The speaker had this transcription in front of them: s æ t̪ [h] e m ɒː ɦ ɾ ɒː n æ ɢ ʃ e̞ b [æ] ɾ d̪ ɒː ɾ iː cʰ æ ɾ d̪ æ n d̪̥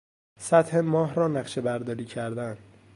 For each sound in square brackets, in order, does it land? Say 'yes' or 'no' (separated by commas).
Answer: yes, yes